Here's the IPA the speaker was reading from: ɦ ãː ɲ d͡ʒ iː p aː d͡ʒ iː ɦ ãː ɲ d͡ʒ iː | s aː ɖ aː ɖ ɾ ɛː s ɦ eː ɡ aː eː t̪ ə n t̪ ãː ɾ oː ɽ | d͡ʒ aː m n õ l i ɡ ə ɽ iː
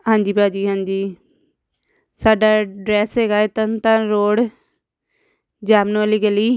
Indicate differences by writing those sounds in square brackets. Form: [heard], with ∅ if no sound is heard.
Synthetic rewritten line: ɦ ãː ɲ d͡ʒ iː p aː d͡ʒ iː ɦ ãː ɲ d͡ʒ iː | s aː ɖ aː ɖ ɾ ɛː s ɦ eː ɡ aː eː t̪ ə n t̪ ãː ɾ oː ɽ | d͡ʒ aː m n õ l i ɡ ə [l] iː